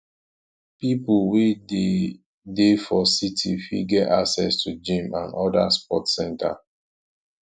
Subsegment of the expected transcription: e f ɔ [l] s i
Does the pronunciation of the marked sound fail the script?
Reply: yes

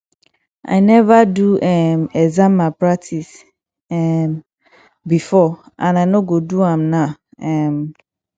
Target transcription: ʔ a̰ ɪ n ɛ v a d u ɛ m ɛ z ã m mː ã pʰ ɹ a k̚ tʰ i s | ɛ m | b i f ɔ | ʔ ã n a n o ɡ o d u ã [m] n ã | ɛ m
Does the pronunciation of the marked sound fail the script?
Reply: no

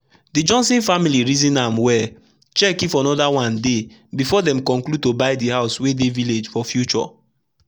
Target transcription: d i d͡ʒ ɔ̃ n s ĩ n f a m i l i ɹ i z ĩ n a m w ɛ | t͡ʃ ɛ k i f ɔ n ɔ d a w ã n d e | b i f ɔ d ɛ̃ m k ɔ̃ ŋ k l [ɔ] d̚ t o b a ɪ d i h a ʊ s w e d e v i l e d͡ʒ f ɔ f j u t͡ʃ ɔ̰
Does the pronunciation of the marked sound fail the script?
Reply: yes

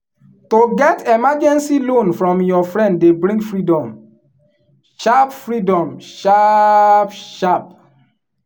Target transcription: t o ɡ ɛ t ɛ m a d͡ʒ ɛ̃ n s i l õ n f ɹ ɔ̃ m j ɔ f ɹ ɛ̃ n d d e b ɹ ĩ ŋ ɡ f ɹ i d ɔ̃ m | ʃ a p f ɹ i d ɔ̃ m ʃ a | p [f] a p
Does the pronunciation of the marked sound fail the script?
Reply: yes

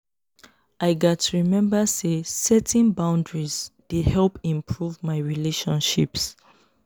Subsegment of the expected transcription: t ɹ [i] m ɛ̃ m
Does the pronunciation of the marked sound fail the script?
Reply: no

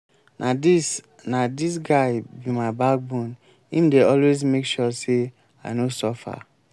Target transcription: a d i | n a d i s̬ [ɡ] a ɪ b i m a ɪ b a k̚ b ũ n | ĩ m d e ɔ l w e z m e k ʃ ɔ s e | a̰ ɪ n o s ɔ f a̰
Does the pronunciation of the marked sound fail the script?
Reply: no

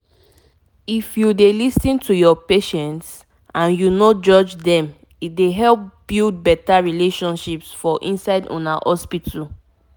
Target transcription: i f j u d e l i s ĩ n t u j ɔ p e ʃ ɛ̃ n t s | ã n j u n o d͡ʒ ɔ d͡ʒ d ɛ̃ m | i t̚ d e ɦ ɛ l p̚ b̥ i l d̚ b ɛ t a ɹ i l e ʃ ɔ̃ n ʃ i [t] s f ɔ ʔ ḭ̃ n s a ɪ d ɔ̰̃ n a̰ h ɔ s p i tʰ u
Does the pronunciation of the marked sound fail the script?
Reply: yes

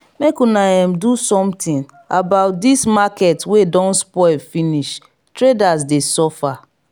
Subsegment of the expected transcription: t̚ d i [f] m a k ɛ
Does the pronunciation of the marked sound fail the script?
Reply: yes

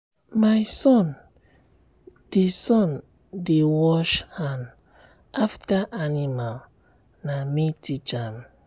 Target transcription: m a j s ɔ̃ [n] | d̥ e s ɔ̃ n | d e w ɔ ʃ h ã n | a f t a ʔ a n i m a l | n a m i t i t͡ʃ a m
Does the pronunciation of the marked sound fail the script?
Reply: no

